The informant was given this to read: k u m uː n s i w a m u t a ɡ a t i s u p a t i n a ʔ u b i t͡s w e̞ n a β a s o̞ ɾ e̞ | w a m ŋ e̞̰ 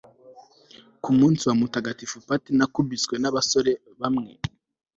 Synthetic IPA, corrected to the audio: k u m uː n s i w a m u t a ɡ a t i f u p a t i n a k u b i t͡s w e̞ n a β a s o̞ ɾ e̞ | β a m ŋ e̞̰